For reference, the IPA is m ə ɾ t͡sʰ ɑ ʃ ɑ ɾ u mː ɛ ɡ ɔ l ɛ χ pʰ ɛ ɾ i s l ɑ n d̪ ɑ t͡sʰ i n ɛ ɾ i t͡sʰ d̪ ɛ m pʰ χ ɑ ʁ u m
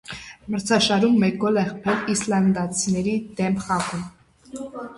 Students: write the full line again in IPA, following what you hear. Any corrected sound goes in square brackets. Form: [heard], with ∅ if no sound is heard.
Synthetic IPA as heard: m ə ɾ t͡sʰ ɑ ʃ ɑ ɾ u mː ɛ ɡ ɔ l ɛ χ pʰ ɛ [l] i s l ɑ n d̪ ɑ t͡sʰ i n ɛ ɾ i [∅] d̪ ɛ m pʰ χ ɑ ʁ u m